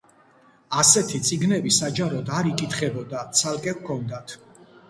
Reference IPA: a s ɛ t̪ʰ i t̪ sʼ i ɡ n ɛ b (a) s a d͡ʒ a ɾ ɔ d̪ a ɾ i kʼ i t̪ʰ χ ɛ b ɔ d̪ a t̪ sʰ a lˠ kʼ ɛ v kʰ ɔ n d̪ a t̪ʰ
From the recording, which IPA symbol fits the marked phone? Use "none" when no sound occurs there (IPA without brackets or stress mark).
i